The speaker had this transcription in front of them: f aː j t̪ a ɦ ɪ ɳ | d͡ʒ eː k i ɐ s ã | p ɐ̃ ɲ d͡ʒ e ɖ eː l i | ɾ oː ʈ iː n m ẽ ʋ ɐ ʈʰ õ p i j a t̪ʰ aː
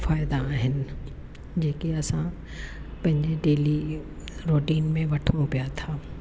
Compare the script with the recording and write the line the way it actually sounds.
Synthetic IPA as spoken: f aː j d̪ a ɦ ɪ n | d͡ʒ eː k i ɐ s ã | p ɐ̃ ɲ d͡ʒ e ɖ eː l i | ɾ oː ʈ iː n m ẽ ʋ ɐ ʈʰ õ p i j a t̪ʰ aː